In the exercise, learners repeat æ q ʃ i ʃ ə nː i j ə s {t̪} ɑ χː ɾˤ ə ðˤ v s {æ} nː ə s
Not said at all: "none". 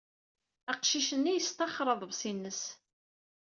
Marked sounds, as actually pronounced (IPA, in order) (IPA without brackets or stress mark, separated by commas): t̪, i